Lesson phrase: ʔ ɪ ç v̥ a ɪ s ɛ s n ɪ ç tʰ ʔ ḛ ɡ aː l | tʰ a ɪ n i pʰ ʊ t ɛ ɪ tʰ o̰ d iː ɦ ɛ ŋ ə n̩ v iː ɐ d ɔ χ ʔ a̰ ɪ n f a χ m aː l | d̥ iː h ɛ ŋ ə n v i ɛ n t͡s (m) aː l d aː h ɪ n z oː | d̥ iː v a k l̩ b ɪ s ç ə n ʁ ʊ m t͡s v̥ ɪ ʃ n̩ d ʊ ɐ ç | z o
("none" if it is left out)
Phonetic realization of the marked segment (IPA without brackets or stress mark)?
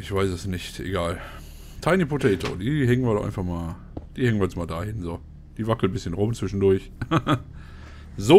m